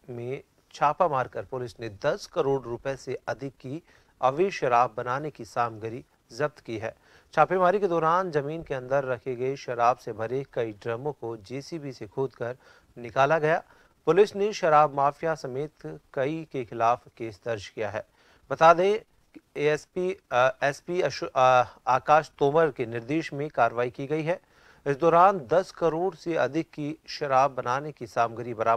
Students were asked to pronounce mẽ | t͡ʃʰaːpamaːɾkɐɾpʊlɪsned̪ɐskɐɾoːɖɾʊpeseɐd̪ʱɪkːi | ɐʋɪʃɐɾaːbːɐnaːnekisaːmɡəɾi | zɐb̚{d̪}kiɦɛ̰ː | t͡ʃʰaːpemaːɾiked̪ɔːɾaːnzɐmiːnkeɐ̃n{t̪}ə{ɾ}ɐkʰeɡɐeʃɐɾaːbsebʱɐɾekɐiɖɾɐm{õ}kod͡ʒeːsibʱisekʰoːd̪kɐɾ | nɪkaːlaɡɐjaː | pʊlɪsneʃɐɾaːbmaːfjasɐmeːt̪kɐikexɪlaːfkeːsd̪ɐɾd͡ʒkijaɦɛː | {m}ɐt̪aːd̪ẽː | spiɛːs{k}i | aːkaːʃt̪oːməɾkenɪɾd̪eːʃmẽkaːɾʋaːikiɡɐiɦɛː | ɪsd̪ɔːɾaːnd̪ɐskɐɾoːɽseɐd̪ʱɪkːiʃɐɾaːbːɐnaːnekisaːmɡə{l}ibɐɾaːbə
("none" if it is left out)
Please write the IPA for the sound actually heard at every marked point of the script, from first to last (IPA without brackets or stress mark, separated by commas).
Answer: t̪, d̪, ɾː, õ, b, p, ɾ